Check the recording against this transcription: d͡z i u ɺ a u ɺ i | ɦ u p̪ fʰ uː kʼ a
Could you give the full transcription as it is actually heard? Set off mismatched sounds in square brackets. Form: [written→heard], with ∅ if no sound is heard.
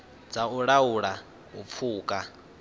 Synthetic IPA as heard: d͡z [i→a] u ɺ a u ɺ [i→a] | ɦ u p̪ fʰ uː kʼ a